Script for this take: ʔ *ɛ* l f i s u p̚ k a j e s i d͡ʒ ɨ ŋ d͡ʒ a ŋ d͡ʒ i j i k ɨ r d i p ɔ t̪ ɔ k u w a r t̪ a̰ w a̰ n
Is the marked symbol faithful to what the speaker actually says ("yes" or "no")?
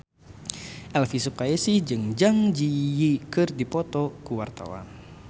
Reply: yes